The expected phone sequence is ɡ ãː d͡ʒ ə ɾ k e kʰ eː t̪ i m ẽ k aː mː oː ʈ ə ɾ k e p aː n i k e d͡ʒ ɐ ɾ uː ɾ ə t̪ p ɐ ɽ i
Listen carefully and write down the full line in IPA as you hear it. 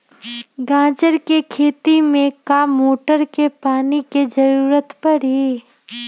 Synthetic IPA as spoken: ɡ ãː d͡ʒ ə ɾ k e kʰ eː t̪ i m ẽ k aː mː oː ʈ ə ɾ k e p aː n i k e d͡ʒ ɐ ɾ uː ɾ ə t̪ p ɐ ɽ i